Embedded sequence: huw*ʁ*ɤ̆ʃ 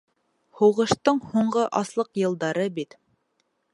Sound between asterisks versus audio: correct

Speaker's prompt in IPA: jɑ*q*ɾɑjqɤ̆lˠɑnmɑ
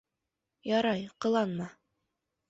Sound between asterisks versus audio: incorrect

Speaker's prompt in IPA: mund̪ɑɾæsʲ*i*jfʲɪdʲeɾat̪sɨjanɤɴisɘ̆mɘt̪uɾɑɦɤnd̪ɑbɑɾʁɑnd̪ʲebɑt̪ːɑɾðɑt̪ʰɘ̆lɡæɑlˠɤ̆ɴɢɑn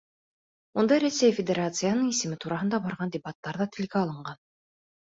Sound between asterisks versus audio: incorrect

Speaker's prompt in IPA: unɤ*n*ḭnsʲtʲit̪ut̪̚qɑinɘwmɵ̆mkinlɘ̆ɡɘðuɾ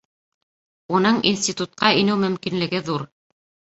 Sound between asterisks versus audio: incorrect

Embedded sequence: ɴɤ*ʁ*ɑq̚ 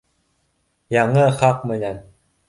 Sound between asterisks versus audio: incorrect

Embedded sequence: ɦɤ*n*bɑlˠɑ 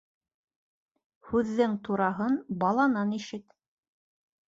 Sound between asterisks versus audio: correct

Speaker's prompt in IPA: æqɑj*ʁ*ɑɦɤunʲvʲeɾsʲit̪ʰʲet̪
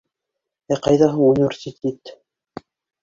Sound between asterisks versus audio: incorrect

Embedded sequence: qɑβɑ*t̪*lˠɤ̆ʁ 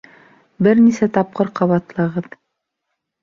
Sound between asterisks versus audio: correct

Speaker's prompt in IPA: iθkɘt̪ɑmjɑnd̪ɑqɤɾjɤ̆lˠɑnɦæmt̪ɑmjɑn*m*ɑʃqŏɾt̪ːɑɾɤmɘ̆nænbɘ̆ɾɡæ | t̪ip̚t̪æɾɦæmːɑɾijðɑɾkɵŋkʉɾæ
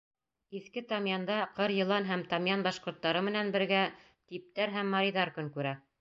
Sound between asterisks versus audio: incorrect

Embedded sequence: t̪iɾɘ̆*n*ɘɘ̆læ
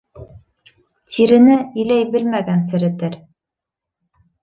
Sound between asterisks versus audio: correct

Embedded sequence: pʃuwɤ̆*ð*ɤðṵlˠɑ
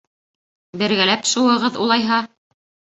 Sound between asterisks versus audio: incorrect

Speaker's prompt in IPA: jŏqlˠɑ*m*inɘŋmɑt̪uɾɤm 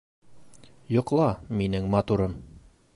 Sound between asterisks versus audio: correct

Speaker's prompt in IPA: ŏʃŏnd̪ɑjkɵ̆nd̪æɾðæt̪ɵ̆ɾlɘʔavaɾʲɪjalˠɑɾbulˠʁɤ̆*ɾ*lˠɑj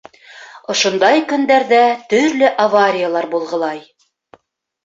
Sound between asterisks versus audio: incorrect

